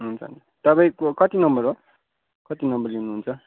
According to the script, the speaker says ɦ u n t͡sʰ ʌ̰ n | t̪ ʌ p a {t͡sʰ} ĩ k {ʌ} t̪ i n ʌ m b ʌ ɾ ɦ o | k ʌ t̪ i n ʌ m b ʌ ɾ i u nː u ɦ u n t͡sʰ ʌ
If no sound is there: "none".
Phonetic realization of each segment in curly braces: none, ʌ

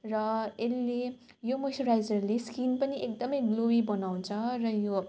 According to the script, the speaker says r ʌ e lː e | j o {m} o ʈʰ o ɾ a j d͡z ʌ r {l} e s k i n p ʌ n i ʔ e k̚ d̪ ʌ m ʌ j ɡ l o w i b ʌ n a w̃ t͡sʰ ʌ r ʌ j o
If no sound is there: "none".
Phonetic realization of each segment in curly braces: m, l

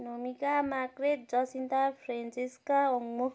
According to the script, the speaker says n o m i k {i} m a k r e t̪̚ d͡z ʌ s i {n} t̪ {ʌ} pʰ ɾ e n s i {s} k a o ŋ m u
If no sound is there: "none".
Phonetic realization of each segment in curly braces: a, n, a, s

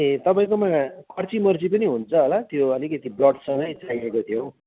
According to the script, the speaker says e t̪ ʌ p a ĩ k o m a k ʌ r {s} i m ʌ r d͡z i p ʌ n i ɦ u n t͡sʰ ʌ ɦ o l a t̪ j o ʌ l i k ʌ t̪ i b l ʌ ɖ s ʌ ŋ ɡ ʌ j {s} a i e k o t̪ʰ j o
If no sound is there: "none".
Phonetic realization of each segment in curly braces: t͡s, t͡s

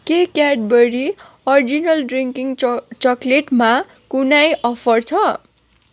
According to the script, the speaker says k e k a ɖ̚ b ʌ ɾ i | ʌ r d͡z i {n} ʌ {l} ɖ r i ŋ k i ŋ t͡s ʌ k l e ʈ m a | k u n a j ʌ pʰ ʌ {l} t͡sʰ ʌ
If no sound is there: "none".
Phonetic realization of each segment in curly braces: n, l, r

